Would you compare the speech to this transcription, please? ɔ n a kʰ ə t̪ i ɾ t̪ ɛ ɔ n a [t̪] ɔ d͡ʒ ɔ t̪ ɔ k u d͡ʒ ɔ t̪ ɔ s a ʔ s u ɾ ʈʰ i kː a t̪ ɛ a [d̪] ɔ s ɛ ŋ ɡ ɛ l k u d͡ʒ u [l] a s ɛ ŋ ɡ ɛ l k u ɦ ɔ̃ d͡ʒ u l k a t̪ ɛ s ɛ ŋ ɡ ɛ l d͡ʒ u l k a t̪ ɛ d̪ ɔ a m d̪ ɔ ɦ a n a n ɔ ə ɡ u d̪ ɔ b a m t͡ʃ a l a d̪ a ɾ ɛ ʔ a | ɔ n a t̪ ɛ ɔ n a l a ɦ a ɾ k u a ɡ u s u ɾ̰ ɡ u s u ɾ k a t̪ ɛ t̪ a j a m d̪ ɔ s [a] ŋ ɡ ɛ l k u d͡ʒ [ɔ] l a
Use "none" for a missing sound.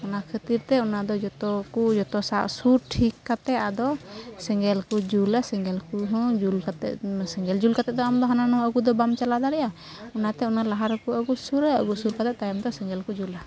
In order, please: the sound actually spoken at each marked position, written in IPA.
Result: d̪, d̪, l, ɛ, u

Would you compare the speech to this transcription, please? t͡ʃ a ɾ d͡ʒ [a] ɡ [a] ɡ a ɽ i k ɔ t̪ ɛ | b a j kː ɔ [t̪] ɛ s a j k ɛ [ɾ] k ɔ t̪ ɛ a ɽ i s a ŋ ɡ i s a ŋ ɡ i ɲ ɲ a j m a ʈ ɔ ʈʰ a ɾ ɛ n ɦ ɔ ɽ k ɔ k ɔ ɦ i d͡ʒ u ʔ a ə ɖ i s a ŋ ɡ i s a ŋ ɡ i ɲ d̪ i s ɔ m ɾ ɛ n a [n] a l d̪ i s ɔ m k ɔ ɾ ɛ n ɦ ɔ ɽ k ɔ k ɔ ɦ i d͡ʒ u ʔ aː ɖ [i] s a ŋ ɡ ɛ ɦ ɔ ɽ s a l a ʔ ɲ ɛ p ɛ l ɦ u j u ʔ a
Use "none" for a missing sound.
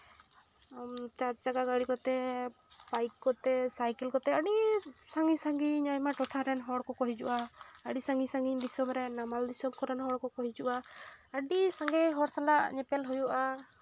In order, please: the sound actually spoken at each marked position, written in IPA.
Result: a, a, t̪, l, m, i

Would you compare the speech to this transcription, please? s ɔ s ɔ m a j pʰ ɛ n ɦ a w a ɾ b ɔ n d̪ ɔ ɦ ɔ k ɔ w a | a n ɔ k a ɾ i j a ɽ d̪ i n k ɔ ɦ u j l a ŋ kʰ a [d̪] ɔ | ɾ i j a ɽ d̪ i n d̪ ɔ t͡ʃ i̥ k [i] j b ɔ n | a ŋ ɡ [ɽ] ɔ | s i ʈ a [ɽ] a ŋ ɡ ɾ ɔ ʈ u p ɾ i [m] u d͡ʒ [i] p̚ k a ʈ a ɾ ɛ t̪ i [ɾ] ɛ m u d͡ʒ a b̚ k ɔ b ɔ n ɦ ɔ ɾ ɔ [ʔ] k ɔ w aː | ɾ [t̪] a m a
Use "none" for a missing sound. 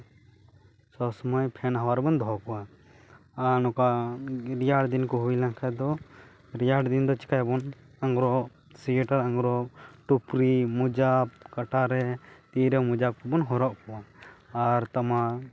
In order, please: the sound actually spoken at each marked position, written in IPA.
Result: d̪, a, ɾ, ɾ, m, a, ɾ, ʔ, t̪

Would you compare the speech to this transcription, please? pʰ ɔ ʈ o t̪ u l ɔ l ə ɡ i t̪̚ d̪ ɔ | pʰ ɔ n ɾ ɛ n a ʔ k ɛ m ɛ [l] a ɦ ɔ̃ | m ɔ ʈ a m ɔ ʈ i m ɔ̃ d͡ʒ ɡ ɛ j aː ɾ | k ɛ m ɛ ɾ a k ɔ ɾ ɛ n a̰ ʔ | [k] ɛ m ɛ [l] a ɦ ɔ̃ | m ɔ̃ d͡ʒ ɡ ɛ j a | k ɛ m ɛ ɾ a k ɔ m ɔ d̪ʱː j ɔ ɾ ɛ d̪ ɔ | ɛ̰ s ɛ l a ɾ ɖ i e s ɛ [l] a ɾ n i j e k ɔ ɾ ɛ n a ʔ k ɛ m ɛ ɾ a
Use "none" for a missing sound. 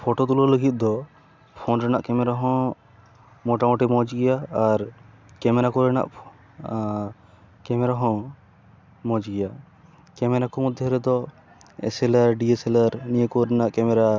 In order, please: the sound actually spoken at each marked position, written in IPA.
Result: ɾ, k, ɾ, l

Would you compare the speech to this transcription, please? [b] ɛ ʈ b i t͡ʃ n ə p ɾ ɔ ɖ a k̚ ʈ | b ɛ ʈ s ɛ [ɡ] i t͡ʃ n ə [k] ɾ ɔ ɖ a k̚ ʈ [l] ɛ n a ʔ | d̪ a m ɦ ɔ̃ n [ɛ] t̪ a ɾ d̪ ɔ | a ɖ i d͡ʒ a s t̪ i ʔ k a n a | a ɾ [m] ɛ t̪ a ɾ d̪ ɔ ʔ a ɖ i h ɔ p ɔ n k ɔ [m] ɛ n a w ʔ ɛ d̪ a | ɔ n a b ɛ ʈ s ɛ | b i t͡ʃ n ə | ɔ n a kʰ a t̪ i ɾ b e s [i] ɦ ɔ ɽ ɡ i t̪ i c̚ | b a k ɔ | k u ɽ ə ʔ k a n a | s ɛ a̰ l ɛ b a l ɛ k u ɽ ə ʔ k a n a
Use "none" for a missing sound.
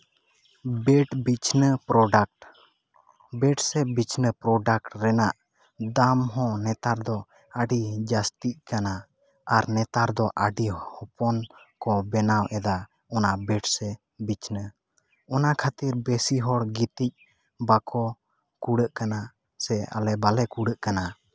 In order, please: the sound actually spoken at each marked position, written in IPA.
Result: b, b, p, ɾ, ɛ, n, b, i

